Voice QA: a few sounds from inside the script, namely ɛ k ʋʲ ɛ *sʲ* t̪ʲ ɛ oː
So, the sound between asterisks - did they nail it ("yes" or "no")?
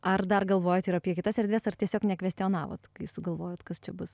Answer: yes